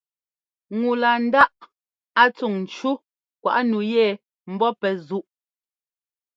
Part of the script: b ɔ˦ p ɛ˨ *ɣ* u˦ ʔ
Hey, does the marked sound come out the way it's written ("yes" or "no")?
no